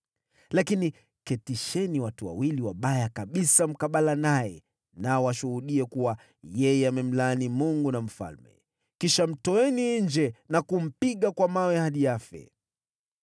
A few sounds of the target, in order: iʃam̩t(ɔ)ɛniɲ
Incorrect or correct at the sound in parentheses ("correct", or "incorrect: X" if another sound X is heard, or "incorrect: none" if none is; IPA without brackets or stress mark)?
correct